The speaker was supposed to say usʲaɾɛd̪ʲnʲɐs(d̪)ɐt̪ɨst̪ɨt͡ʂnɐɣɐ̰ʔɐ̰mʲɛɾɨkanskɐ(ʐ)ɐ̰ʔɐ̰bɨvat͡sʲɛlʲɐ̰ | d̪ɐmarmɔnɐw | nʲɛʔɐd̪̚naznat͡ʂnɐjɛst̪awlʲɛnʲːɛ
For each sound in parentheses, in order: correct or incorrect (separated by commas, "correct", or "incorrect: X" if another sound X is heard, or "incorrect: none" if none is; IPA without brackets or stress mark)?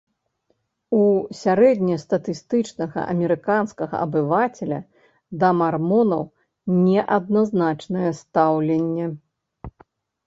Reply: incorrect: t̪, incorrect: ɣ